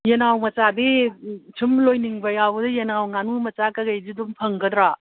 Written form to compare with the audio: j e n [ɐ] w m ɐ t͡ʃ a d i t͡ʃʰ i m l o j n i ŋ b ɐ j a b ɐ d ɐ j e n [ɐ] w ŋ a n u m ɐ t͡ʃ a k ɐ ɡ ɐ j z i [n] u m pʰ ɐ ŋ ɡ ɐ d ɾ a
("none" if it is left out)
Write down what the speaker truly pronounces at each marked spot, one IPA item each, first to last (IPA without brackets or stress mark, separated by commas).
a, a, d